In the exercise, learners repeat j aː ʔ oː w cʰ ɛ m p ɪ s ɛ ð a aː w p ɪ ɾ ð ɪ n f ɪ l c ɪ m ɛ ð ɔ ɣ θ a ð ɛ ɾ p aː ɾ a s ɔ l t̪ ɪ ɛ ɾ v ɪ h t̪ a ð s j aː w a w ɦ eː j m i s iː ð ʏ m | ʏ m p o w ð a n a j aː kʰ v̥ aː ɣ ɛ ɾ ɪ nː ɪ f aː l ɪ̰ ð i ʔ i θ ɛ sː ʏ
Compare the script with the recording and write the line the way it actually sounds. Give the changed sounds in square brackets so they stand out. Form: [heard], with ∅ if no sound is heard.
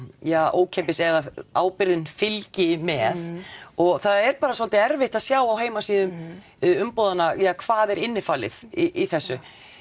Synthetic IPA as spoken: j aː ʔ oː w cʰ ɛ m p ɪ s ɛ ð a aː w p ɪ ɾ ð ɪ n f ɪ l c ɪ m ɛ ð ɔ ɣ θ a ð ɛ ɾ p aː ɾ a s ɔ l t̪ ɪ ɛ ɾ v ɪ h t̪ a ð s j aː w a w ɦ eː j m [a] s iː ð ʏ m | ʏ m p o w ð a n a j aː kʰ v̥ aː [ð] ɛ ɾ ɪ nː ɪ f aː l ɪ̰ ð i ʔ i θ ɛ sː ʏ